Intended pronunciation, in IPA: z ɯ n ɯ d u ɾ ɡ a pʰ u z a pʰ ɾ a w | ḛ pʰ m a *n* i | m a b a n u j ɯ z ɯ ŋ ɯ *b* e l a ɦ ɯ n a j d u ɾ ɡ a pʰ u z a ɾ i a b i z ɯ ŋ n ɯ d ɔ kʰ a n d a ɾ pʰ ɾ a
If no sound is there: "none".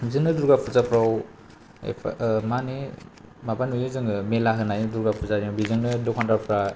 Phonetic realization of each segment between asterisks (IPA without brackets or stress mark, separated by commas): n, m